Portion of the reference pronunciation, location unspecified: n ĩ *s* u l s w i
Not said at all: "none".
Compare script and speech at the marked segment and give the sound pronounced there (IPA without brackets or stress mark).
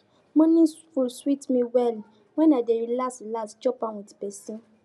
f